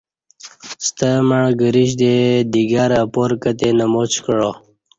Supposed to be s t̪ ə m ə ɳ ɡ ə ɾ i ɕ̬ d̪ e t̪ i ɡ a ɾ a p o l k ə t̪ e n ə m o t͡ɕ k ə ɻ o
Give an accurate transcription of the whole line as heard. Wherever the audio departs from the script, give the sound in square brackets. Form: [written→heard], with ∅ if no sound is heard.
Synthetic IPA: s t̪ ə m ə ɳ ɡ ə ɾ i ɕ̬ d̪ e [t̪→d̪] i ɡ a ɾ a p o [l→ɾ] k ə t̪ e n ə m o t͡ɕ k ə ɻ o